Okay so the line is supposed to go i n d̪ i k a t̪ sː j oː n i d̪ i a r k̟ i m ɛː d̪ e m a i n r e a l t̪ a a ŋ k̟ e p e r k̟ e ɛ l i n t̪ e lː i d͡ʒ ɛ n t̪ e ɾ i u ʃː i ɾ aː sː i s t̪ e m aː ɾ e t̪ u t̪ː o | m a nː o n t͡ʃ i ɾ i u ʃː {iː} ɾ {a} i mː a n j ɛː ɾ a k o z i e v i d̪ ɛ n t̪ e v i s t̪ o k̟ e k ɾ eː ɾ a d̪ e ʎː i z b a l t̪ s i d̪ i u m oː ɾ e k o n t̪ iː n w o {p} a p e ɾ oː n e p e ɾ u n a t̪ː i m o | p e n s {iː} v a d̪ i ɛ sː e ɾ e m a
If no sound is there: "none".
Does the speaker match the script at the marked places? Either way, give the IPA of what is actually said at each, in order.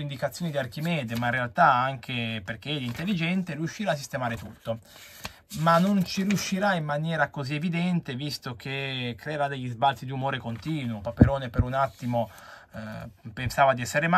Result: i, a, p, aː

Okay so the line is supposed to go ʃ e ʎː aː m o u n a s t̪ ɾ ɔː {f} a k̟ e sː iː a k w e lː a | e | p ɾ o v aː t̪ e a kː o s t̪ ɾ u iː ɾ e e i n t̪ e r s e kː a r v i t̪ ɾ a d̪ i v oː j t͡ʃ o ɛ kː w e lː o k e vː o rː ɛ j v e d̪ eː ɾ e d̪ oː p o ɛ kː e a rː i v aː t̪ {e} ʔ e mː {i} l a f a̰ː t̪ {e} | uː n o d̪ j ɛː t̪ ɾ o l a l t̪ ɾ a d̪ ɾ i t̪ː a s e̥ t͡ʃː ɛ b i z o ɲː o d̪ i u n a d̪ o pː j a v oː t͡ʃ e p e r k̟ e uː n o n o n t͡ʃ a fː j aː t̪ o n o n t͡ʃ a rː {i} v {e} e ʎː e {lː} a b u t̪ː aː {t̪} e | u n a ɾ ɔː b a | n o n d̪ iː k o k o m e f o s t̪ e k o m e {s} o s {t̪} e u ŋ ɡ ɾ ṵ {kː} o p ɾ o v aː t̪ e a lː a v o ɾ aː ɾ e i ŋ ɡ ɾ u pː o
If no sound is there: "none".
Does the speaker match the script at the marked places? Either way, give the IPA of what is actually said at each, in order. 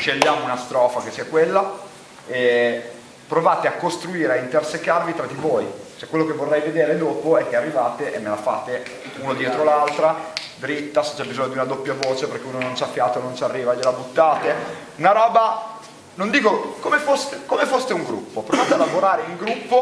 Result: f, e, e, e, iː, a, l, t̪, f, t̪, pː

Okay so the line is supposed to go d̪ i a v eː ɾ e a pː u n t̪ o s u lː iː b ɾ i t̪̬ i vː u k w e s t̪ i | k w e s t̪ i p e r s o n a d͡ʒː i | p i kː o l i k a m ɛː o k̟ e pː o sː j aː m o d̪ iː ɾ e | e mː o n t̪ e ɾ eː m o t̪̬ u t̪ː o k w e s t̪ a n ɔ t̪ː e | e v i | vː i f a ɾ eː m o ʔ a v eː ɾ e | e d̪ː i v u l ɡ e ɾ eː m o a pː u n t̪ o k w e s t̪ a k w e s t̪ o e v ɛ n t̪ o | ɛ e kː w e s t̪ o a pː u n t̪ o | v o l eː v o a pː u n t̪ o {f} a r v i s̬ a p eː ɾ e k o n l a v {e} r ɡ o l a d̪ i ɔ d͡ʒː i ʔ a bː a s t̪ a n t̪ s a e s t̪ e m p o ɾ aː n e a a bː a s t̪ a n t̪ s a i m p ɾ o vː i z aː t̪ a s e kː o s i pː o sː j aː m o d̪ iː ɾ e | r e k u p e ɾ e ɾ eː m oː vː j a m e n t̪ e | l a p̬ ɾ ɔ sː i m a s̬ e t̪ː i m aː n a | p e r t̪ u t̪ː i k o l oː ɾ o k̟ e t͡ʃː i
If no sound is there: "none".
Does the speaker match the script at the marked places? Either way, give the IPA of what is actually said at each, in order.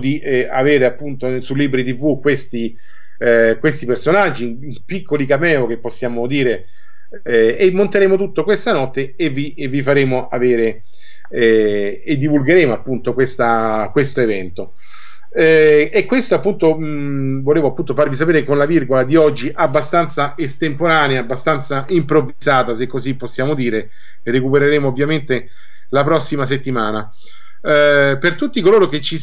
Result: f, i

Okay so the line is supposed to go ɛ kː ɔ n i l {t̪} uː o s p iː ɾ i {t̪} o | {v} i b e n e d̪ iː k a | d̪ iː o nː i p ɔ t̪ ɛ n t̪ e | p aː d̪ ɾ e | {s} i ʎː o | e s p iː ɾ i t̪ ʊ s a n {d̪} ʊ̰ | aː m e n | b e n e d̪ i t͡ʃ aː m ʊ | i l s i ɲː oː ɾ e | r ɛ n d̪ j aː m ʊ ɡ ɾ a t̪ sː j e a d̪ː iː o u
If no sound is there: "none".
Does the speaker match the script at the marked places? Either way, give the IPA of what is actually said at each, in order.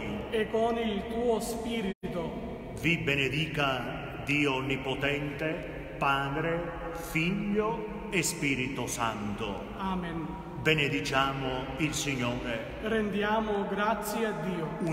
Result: t̪, t̪, v, f, t̪

